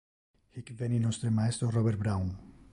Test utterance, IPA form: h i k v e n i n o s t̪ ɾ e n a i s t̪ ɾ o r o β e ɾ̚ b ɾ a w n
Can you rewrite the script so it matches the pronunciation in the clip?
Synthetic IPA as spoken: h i k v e n i n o s t̪ ɾ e m a e s t̪ ɾ o r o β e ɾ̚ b ɾ a w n